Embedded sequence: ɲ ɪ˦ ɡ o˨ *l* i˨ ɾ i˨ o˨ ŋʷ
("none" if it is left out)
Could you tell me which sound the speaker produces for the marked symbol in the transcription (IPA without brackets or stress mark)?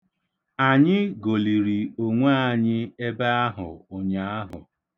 l